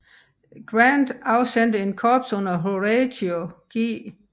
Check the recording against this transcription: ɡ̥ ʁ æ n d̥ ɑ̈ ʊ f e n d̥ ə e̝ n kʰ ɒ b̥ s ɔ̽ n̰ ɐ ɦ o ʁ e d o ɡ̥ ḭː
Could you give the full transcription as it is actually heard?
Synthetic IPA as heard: ɡ̥ ʁ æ n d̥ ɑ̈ ʊ s e n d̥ ə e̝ n kʰ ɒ b̥ s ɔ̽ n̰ ɐ ɦ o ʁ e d o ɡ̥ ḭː